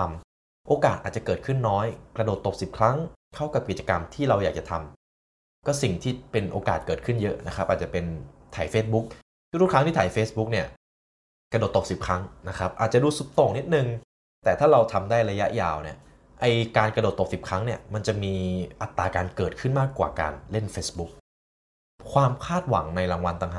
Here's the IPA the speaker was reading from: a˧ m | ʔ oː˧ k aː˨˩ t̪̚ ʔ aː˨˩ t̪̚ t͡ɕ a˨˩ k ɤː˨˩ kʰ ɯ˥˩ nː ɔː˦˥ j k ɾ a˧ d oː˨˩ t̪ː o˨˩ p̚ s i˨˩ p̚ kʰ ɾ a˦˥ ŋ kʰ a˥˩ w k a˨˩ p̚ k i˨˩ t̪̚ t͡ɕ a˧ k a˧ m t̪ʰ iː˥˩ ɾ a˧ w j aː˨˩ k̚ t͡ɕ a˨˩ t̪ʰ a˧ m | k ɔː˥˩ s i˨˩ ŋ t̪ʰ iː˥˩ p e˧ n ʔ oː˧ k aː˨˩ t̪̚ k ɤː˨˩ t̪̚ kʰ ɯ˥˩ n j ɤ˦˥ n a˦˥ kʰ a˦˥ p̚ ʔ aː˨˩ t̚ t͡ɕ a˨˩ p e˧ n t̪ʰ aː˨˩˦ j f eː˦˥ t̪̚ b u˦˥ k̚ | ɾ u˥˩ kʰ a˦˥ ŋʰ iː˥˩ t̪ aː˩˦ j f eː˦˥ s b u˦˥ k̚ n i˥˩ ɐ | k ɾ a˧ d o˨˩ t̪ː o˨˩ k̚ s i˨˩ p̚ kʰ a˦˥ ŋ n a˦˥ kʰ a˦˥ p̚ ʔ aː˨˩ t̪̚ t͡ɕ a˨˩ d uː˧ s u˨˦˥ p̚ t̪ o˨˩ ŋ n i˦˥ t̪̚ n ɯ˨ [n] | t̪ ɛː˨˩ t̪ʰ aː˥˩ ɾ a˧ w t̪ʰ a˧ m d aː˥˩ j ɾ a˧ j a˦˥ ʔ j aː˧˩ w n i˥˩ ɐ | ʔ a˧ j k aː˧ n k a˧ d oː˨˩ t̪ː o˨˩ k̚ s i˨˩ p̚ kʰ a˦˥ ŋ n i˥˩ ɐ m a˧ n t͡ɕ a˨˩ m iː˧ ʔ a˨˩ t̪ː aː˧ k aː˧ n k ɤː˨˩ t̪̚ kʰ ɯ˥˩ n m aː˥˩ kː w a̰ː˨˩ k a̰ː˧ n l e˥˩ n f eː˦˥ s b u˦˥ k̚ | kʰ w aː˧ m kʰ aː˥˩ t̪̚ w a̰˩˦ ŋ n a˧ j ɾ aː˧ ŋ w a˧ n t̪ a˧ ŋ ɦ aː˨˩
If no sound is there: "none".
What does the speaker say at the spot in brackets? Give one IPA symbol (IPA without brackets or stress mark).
ŋ